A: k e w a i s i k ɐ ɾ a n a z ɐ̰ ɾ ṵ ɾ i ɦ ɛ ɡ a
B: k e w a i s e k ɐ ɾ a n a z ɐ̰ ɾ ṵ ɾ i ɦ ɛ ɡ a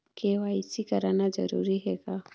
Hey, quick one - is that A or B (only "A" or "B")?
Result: A